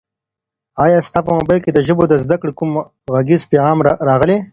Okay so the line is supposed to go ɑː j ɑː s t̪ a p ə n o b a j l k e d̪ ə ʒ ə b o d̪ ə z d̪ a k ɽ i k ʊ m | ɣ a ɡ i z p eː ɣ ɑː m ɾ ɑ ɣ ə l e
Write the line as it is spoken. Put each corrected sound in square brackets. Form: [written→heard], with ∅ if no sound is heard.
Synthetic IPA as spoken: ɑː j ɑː s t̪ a p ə [n→m] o b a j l k e d̪ ə ʒ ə b o d̪ ə z d̪ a k ɽ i k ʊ m | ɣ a ɡ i z p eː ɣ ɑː m ɾ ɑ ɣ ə l e